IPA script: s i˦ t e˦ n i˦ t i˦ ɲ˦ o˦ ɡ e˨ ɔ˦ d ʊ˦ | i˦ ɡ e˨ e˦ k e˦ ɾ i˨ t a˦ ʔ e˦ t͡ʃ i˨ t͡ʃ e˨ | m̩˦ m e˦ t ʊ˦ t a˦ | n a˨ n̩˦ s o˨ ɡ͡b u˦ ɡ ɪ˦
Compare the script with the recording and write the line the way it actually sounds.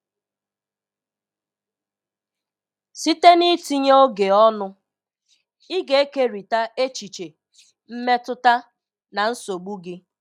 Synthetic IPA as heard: s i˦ t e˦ n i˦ t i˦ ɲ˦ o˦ ɡ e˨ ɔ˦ n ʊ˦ | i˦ ɡ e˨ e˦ k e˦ ɾ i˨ t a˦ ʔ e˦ t͡ʃ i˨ t͡ʃ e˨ | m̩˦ m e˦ t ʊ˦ t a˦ | n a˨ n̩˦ s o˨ ɡ͡b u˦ ɡ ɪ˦